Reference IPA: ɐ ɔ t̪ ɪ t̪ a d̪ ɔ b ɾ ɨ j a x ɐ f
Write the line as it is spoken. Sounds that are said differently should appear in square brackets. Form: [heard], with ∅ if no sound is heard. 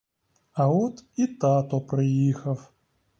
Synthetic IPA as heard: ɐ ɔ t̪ [i] t̪ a [t̪] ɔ [p] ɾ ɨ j [i] x ɐ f